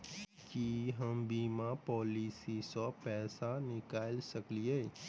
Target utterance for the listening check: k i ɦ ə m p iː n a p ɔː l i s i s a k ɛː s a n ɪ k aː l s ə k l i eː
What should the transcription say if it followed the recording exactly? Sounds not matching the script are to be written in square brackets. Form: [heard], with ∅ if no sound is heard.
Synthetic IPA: k i ɦ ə m [b] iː [m] a p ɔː l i s i s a [p] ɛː s a n ɪ k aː l s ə k l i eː